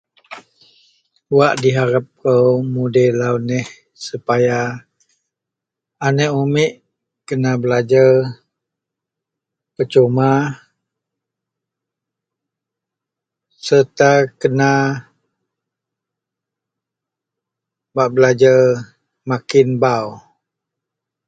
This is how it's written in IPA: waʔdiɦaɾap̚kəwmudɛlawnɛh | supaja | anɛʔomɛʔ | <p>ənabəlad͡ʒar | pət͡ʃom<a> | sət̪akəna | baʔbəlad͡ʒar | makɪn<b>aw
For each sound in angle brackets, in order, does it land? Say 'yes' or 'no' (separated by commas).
no, yes, yes